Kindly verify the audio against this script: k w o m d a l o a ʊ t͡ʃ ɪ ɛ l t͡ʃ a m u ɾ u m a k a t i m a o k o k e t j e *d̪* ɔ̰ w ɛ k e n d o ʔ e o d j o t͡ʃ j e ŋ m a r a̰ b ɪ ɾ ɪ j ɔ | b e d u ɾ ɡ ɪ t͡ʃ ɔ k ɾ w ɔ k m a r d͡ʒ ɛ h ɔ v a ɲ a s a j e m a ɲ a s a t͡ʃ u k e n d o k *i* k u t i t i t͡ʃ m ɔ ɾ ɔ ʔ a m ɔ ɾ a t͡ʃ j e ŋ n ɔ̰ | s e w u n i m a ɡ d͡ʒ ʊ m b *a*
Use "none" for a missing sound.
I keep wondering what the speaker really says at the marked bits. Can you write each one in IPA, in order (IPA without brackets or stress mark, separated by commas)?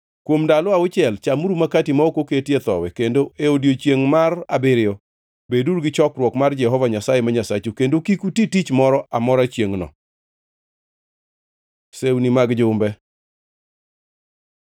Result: t̪, i, ɛ